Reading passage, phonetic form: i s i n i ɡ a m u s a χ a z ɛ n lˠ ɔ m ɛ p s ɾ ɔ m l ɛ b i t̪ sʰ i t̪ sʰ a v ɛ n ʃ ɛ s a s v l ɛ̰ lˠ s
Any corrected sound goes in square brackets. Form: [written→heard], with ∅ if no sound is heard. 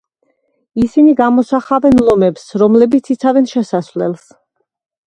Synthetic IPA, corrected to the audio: i s i n i ɡ a m [u→ɔ] s a χ a [z→v] ɛ n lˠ ɔ m ɛ p s ɾ ɔ m l ɛ b i t̪ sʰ i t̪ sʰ a v ɛ n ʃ ɛ s a s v l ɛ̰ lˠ s

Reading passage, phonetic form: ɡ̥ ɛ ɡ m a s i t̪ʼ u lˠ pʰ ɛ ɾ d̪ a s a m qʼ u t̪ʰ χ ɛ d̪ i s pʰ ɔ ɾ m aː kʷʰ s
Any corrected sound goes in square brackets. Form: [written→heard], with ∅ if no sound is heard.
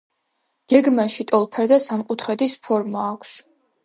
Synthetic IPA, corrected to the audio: ɡ̥ ɛ ɡ m a [s→ʃ] i t̪ʼ [u→ɔ] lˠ pʰ ɛ ɾ d̪ a s a m qʼ u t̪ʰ χ ɛ d̪ i s pʰ ɔ ɾ m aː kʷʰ s

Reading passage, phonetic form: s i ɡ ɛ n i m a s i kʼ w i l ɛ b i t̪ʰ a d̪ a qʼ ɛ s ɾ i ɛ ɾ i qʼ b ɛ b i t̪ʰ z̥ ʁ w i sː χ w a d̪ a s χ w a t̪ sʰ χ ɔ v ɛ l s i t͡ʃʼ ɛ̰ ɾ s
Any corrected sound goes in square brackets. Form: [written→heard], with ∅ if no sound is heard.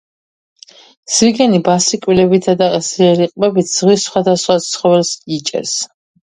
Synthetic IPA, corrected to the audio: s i ɡ ɛ n i [m→b] a s i kʼ w i l ɛ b i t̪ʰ a d̪ a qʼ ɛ s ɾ i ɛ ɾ i qʼ b ɛ b i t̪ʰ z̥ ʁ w i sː χ w a d̪ a s χ w a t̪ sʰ χ ɔ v ɛ l s i t͡ʃʼ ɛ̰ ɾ s

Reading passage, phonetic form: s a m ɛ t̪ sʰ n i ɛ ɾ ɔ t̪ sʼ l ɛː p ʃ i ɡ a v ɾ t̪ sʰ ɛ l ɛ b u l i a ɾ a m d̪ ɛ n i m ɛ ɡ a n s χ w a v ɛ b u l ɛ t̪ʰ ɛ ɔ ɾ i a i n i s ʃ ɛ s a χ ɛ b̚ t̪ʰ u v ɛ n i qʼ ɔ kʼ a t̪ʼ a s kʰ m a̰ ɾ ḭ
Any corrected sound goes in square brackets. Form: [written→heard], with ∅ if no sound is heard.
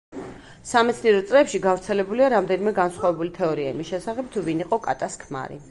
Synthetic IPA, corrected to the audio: s a m ɛ t̪ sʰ n i ɛ ɾ ɔ t̪ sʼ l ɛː p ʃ i ɡ a v ɾ t̪ sʰ ɛ l ɛ b u l i a ɾ a m d̪ ɛ n i m ɛ ɡ a n s χ w a v ɛ b u l [ɛ→i] t̪ʰ ɛ ɔ ɾ i a i [n→m] i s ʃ ɛ s a χ ɛ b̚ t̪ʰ u v [ɛ→i] n i qʼ ɔ kʼ a t̪ʼ a s kʰ m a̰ ɾ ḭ

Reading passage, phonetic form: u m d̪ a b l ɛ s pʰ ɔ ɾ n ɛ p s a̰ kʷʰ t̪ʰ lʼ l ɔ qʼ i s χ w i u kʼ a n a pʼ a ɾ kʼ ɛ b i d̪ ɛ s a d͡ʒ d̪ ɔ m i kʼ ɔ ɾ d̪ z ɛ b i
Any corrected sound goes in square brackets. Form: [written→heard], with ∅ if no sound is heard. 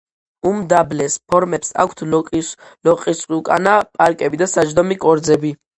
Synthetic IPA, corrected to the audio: u m d̪ a b l ɛ s pʰ ɔ ɾ [n→m] ɛ p s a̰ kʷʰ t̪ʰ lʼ l ɔ qʼ i s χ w i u kʼ a n a pʼ a ɾ kʼ ɛ b i d̪ [ɛ→a] s a d͡ʒ d̪ ɔ m i kʼ ɔ ɾ d̪ z ɛ b i

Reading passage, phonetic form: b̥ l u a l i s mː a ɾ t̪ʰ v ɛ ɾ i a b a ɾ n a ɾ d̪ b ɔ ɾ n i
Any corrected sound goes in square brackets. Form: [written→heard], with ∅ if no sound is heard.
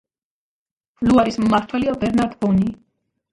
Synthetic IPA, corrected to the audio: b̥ l u a [l→ɾ] i s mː a ɾ t̪ʰ [v→w] ɛ [ɾ→l] i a b [a→ɛ] ɾ n a ɾ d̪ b ɔ [ɾ→∅] n i

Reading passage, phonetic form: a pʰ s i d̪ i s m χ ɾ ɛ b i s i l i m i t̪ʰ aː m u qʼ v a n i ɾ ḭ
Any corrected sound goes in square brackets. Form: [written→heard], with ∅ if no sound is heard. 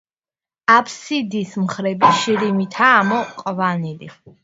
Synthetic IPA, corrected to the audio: a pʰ s i d̪ i s m χ ɾ ɛ b i [s→ʃ] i [l→ɾ] i m i t̪ʰ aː m [u→ɔ] qʼ v a n i [ɾ→l] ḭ

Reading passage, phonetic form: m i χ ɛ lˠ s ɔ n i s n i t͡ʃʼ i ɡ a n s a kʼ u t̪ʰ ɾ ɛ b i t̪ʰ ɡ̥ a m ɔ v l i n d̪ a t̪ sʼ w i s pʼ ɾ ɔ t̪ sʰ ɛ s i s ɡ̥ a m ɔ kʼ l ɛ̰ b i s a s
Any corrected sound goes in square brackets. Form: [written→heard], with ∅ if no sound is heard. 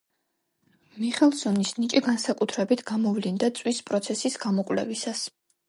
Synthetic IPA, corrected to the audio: m i χ ɛ lˠ s ɔ n i s n i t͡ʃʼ i ɡ a n s a kʼ u t̪ʰ ɾ ɛ b i t̪ʰ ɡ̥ a m ɔ v l i n d̪ a t̪ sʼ w i s pʼ ɾ ɔ t̪ sʰ ɛ s i s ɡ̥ a m ɔ kʼ l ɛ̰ [b→v] i s a s

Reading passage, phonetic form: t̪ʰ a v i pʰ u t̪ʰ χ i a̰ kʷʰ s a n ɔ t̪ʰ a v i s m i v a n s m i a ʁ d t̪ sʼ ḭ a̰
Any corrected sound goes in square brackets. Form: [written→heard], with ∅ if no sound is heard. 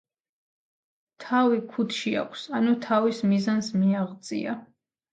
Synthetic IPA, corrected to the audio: t̪ʰ a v i [pʰ→kʰ] u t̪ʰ [χ→ʃ] i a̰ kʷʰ s a n [ɔ→u] t̪ʰ a v i s m i [v→z] a n s m i a ʁ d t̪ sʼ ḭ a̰

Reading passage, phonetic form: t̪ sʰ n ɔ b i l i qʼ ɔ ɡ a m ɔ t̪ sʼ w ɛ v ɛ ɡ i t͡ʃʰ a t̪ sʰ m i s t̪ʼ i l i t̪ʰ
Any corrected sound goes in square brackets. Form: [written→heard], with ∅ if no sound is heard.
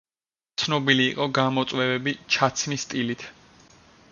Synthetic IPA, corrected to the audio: t̪ sʰ n ɔ b i l [i→iː] qʼ ɔ ɡ a m ɔ t̪ sʼ w ɛ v ɛ [ɡ→b] i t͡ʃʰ a t̪ sʰ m i s t̪ʼ i l i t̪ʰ

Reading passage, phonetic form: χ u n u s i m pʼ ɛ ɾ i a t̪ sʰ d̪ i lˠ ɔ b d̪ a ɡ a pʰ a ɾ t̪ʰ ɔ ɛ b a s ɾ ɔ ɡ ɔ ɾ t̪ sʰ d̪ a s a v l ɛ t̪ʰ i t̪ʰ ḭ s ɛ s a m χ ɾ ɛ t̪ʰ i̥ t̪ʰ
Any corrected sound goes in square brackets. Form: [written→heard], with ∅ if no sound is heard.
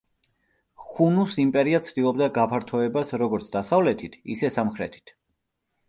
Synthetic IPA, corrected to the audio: χ u n u s i m pʼ ɛ ɾ i a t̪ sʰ d̪ i lˠ ɔ b d̪ a ɡ a pʰ a ɾ t̪ʰ ɔ ɛ b a s ɾ ɔ ɡ ɔ ɾ t̪ sʰ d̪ a s a v l ɛ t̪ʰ i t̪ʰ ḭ s ɛ s a m χ ɾ ɛ t̪ʰ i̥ t̪ʰ

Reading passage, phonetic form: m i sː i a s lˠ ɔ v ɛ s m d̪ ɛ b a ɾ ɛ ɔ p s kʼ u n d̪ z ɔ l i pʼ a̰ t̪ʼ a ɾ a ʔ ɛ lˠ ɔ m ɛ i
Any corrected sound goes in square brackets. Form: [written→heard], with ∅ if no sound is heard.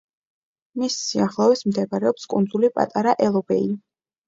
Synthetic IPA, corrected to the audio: m i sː i a [s→χ] lˠ ɔ v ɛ s m d̪ ɛ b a ɾ ɛ ɔ p s kʼ u n d̪ z [ɔ→u] l i pʼ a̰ t̪ʼ a ɾ a ʔ ɛ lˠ ɔ [m→b] ɛ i

